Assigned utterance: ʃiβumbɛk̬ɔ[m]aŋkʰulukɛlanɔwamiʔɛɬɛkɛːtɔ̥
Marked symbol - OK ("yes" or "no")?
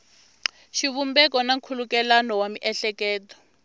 no